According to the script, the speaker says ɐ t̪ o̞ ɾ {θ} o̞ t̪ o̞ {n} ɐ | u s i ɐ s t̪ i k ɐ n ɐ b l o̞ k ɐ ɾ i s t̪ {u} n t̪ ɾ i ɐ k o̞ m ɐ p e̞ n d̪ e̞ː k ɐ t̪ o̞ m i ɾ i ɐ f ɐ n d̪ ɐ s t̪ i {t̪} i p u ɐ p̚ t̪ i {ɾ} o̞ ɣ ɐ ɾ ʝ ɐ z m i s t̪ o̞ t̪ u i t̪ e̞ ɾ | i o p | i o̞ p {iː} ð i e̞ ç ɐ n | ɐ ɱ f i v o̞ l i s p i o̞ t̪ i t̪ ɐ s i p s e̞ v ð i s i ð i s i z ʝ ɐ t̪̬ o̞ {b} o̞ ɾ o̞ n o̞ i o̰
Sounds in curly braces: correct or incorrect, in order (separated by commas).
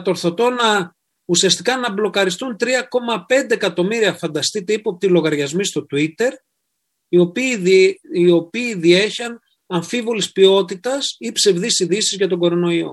correct, correct, correct, correct, incorrect, correct, incorrect